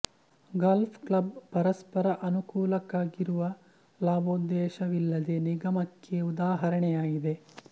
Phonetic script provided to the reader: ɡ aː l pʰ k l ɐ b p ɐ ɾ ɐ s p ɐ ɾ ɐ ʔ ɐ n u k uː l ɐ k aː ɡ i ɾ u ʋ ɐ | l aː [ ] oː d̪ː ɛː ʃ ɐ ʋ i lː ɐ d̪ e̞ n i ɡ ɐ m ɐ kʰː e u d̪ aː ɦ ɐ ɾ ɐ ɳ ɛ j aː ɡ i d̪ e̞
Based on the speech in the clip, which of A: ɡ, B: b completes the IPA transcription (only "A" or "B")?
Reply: B